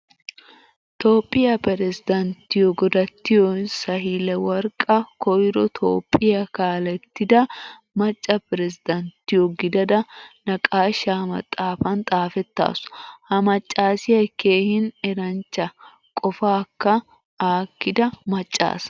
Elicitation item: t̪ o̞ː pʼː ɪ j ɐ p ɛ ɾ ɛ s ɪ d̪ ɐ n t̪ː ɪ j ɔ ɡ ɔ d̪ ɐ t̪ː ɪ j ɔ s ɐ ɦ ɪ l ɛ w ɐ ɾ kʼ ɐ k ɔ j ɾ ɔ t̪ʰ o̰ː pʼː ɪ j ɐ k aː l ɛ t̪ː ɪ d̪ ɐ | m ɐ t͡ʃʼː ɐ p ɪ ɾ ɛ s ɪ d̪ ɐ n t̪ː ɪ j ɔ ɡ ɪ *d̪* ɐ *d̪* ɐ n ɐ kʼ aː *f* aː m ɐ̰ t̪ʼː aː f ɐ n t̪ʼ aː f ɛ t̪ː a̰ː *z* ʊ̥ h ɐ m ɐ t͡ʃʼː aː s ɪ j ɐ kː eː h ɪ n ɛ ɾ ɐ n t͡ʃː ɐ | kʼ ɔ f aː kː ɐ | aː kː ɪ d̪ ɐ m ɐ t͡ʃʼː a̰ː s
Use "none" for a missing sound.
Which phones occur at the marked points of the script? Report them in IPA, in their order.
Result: d̪, d̪, ʃ, s

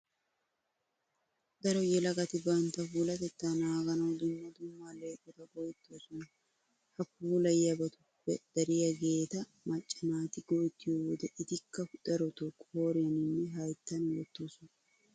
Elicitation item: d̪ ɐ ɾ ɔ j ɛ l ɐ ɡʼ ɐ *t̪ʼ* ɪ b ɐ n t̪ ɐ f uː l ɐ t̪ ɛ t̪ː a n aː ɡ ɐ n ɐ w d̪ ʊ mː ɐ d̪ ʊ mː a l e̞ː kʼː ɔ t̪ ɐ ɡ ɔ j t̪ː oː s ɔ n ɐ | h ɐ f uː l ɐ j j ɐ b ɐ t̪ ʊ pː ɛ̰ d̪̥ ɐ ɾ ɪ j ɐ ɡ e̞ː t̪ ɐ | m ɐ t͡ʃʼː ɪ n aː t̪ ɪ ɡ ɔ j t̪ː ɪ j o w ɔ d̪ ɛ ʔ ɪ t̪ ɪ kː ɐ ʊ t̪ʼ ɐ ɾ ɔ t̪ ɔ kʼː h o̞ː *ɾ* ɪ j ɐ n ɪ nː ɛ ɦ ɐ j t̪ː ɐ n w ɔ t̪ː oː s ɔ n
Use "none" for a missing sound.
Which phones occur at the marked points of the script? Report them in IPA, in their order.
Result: t̪, ɾ

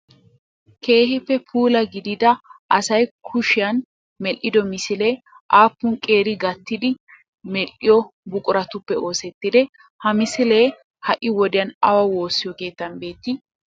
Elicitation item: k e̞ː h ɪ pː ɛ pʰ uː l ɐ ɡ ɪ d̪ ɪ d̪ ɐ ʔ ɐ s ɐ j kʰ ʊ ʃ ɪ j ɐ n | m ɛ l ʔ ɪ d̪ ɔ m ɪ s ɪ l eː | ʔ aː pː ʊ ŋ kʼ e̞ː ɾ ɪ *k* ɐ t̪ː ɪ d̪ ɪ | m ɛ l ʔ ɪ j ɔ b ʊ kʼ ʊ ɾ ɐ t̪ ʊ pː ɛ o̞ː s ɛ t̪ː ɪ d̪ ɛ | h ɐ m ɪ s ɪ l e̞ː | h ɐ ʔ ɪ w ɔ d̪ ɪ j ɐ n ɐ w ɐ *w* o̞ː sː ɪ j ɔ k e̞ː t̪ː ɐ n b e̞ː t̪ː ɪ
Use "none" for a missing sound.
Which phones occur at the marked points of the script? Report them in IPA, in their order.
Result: ɡ, w

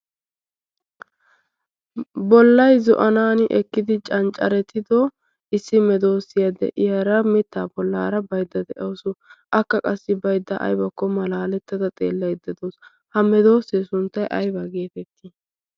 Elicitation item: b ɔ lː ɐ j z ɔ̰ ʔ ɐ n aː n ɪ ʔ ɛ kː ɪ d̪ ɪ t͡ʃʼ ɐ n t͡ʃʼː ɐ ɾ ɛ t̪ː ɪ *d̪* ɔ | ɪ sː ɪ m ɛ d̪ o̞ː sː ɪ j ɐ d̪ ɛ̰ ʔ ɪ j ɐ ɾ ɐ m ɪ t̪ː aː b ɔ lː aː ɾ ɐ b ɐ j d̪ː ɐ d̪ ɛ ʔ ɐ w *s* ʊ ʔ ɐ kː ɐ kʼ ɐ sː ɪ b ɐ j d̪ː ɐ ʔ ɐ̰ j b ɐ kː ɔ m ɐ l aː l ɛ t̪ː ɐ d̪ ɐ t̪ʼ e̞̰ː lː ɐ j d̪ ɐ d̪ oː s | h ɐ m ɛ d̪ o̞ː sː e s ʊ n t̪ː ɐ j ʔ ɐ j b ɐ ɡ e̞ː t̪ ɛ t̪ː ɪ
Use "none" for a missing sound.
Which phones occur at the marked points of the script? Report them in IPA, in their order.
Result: d̪, s

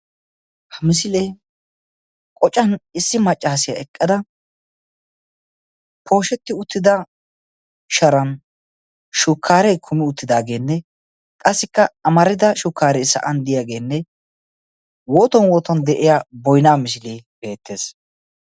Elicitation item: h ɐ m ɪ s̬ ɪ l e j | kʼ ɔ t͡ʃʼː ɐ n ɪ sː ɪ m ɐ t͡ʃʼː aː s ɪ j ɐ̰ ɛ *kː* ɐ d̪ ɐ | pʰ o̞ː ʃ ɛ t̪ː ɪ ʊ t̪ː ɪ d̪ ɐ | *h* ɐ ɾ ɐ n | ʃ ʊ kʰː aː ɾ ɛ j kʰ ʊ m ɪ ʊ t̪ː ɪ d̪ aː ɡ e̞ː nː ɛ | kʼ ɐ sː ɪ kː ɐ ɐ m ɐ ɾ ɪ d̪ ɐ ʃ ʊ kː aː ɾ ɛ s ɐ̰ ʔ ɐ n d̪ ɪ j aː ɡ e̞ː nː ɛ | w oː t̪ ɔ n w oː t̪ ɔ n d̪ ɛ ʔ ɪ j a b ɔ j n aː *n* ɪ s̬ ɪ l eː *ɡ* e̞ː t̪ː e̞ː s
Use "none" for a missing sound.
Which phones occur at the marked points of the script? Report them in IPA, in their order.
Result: kʼː, ʃ, m, b

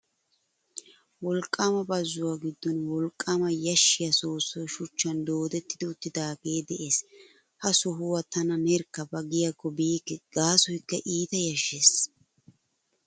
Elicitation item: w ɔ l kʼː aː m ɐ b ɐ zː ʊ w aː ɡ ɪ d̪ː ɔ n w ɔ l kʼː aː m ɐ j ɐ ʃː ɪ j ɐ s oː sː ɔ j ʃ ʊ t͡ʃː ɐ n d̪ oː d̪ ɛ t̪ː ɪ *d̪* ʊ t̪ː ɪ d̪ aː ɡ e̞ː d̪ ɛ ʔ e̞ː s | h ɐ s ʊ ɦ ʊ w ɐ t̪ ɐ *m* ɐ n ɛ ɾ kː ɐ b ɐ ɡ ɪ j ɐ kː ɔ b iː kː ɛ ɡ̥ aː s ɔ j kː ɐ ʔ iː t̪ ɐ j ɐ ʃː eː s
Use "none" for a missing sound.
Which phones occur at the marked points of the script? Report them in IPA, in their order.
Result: d̪, n

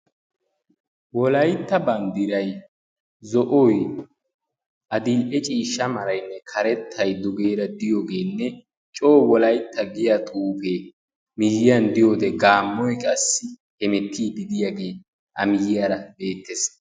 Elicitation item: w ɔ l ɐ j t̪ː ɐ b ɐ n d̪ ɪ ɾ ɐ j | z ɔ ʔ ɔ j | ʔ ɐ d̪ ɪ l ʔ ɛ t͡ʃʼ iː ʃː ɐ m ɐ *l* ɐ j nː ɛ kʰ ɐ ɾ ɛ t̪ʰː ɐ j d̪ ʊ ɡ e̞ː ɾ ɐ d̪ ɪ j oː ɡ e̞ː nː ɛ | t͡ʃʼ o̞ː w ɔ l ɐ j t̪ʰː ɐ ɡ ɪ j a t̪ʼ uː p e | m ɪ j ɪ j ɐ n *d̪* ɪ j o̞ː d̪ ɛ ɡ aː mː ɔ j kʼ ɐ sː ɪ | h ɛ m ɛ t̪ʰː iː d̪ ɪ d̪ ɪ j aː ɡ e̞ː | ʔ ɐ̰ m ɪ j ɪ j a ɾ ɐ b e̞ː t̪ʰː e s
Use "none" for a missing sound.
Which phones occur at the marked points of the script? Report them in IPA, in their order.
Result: ɾ, d̪

